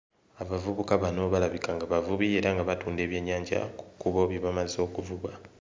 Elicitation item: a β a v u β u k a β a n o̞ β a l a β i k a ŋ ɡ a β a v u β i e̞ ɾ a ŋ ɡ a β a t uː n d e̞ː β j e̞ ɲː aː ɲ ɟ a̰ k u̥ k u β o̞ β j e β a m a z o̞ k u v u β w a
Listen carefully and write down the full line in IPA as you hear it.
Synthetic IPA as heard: a β a v u β u k a β a n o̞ β a l a β i k a ŋ ɡ a β a v u β i e̞ ɾ a ŋ ɡ a β a t uː n d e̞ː β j e̞ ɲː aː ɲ ɟ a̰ k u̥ k u β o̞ β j e β a m a z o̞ k u v u β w a